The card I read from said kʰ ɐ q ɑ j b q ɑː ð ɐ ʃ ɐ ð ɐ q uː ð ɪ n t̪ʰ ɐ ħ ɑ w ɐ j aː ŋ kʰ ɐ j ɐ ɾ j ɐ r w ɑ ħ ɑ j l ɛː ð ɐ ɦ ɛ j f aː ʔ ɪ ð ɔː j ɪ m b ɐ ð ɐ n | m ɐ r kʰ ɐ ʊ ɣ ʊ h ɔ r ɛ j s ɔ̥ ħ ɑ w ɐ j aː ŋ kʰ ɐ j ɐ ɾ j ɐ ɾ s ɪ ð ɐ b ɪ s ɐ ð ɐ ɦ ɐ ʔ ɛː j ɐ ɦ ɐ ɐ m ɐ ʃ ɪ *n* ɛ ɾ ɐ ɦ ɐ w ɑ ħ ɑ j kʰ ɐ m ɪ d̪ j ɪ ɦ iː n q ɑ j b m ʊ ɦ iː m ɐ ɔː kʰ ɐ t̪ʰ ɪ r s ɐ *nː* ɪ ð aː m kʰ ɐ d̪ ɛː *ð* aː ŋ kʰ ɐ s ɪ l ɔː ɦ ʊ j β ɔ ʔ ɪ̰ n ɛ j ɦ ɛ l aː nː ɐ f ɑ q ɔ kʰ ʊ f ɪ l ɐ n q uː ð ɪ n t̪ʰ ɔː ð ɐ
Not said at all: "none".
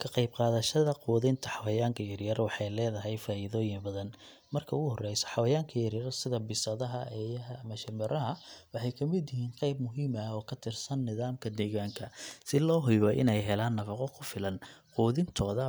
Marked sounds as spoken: m, nː, ɣ

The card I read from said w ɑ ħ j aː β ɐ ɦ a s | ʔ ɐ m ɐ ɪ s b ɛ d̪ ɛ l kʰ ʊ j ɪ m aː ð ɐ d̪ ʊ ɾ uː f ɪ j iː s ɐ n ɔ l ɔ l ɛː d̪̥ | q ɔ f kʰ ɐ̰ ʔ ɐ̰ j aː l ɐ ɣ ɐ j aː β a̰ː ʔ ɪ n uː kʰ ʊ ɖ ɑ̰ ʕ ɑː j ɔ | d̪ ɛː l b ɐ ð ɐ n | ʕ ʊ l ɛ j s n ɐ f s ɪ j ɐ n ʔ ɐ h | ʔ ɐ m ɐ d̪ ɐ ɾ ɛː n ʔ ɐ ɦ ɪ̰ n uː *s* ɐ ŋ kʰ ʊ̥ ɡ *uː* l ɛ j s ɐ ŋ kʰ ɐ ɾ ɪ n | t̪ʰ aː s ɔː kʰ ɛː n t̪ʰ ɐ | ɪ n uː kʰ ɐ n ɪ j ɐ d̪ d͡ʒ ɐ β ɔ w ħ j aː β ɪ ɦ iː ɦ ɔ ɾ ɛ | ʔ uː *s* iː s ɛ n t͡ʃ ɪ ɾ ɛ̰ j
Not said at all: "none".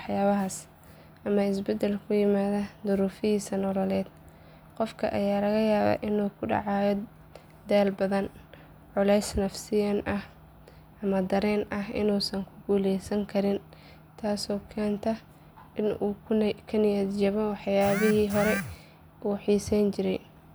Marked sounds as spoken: s, uː, ħ

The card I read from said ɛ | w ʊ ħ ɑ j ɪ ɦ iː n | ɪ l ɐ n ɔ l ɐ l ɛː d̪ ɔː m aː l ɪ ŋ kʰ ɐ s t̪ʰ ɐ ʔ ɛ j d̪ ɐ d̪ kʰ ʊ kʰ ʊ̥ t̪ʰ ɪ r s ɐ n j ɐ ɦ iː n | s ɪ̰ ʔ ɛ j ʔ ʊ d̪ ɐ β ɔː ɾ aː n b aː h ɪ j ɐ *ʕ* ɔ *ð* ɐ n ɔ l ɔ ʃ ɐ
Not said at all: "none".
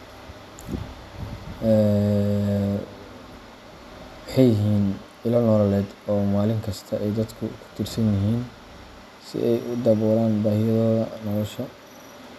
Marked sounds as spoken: ð, ð

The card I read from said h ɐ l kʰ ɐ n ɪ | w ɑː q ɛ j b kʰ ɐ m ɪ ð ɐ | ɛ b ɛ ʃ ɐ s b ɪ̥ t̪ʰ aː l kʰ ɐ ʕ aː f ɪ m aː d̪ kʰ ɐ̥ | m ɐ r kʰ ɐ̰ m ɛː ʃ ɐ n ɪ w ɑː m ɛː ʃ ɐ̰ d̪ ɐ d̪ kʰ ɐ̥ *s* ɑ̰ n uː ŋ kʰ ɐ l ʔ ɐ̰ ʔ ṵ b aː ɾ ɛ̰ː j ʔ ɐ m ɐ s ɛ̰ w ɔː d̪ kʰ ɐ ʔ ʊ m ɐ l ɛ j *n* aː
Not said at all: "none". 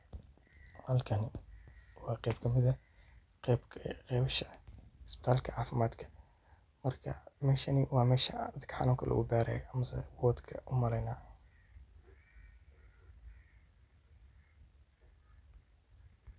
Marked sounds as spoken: ħ, n

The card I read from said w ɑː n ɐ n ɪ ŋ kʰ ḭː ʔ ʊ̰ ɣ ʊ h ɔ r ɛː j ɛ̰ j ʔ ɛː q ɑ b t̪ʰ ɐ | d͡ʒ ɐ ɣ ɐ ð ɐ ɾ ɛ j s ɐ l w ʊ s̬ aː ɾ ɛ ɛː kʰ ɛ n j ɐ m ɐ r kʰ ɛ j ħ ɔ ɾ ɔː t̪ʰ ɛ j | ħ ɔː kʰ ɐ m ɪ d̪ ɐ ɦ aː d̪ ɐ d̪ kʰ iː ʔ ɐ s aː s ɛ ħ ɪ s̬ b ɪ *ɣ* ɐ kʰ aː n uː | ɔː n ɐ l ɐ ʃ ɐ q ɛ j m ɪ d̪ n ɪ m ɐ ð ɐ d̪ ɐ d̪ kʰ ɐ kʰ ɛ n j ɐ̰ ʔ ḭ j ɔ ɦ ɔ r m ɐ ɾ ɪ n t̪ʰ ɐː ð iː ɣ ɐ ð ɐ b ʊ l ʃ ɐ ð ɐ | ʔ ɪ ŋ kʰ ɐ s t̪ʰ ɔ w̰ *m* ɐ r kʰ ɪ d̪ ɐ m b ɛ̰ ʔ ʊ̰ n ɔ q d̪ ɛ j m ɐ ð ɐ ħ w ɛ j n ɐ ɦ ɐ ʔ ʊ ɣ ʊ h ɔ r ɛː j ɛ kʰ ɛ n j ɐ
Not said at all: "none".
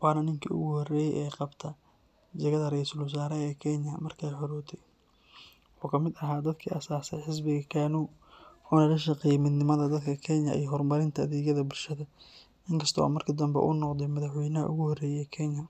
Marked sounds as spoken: ɣ, m

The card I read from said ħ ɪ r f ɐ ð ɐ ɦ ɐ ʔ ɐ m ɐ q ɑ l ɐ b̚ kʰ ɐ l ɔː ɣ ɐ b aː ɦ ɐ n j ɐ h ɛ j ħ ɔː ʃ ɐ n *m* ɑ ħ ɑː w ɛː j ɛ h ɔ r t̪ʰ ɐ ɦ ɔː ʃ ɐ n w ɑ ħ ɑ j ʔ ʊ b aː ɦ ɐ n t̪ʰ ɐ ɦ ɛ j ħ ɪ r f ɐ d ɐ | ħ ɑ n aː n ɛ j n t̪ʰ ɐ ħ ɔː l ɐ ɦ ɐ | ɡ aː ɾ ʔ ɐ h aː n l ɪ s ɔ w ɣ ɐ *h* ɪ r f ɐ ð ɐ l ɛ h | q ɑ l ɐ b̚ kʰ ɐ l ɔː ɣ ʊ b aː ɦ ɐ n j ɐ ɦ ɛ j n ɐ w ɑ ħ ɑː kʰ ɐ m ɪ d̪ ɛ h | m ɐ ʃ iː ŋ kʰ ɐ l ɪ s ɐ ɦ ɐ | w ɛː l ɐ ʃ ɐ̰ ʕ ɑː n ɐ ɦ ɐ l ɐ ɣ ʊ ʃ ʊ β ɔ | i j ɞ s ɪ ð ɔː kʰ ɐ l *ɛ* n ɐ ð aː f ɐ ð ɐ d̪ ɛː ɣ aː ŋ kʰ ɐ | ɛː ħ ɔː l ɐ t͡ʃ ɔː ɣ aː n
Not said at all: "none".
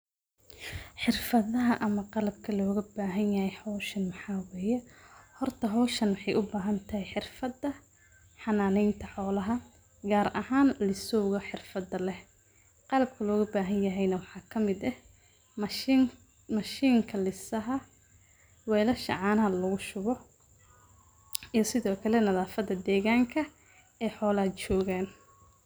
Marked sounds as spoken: m, ħ, ɛ

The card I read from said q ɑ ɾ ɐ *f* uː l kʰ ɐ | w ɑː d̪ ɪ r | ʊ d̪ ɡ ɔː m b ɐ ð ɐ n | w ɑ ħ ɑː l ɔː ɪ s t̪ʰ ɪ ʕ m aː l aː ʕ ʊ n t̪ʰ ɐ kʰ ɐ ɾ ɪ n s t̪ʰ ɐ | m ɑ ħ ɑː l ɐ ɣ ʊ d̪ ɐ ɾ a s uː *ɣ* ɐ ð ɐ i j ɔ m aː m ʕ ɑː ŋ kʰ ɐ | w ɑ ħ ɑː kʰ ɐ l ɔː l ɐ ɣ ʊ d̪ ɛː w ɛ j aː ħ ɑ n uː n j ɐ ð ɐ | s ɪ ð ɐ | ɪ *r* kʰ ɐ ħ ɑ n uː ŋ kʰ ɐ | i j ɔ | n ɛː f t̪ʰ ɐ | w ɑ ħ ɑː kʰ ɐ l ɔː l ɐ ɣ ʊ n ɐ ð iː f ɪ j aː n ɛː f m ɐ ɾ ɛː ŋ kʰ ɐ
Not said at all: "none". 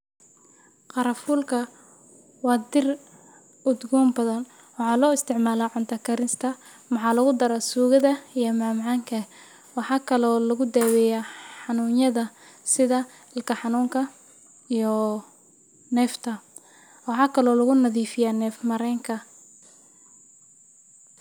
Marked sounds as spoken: f, ɣ, l

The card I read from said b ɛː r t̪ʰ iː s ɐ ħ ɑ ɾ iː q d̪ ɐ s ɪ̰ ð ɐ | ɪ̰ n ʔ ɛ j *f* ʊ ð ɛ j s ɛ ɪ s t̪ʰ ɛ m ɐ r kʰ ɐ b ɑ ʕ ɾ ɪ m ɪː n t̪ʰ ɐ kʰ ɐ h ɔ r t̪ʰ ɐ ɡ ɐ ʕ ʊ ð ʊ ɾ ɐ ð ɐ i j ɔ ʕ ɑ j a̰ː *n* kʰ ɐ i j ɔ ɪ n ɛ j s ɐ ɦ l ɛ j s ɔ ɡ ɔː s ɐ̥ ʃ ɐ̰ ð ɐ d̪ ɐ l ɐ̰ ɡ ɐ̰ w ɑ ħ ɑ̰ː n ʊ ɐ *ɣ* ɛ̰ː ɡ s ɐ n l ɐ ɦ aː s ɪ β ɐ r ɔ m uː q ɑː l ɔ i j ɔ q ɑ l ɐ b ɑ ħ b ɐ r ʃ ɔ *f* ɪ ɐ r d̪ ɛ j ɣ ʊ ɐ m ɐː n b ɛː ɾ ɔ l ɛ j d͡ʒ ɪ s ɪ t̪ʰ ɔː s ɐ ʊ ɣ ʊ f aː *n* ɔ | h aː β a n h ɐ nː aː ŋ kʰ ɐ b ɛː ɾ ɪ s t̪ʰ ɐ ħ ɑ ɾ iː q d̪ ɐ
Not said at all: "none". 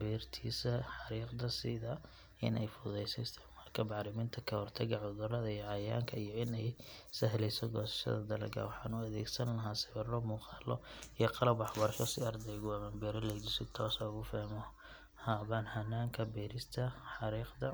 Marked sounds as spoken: f, ŋ, ð, s, m

